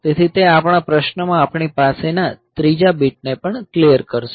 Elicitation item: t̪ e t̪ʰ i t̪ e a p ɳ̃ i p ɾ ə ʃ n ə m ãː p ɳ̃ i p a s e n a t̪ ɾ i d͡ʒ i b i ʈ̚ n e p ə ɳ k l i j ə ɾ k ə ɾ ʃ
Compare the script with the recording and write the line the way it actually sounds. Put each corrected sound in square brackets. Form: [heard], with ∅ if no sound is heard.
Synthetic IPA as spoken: t̪ e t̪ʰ i t̪ e a p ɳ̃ [a] p ɾ ə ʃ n ə m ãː p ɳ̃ i p a s e n a t̪ ɾ i d͡ʒ [a] b i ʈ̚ n e p ə ɳ k l i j ə ɾ k ə ɾ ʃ